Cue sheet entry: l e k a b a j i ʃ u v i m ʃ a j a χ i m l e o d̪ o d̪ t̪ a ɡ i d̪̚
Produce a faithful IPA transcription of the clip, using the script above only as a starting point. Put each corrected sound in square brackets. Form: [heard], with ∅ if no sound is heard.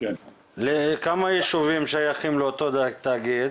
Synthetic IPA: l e k a [m] a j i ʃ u v i m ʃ a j a χ i m l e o [t̪] o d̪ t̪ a ɡ i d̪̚